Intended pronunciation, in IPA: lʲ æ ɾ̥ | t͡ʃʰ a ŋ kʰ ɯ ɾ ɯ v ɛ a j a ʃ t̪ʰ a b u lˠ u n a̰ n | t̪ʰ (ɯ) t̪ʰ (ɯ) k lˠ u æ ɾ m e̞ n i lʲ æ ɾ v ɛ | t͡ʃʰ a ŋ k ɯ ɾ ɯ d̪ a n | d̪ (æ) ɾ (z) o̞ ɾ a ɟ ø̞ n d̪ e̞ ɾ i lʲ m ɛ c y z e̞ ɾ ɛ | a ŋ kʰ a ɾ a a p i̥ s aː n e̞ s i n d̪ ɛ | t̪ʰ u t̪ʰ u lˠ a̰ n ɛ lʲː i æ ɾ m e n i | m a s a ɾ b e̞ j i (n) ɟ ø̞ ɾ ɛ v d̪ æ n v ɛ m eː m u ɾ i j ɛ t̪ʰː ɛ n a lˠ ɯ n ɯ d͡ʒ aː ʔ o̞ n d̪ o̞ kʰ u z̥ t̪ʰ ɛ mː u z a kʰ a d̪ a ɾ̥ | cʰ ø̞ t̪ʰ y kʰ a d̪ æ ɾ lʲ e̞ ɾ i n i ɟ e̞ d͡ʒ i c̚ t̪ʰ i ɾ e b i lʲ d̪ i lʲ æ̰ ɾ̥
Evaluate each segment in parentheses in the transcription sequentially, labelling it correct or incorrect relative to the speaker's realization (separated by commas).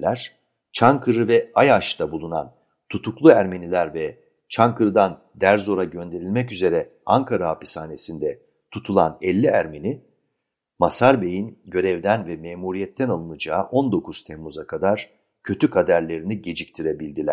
incorrect, incorrect, correct, correct, correct